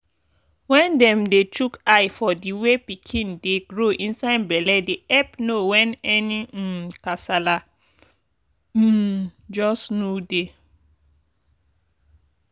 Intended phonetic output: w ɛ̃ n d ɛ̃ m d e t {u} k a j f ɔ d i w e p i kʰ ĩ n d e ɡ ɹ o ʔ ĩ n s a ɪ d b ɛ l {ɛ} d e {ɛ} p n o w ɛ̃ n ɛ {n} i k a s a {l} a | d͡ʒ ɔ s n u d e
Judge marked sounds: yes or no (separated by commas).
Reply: yes, yes, yes, yes, yes